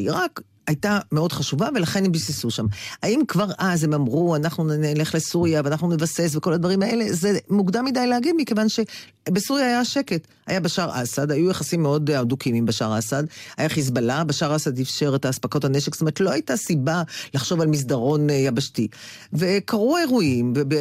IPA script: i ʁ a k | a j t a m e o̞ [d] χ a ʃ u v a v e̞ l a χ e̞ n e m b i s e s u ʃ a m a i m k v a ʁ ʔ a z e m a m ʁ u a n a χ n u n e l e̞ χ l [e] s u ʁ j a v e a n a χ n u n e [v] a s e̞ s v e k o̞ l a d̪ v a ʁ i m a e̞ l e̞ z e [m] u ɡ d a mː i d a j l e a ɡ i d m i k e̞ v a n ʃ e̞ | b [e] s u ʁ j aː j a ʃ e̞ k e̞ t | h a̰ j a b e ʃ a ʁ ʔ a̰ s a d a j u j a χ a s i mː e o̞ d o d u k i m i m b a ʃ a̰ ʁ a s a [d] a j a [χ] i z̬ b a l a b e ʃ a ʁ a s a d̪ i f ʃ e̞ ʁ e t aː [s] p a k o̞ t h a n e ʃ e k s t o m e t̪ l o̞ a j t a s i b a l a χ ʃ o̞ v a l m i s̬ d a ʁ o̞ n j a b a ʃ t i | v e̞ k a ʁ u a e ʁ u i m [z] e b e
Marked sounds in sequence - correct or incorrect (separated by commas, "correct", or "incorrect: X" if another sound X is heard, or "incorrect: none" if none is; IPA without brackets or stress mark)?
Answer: correct, correct, correct, correct, correct, correct, correct, correct, incorrect: v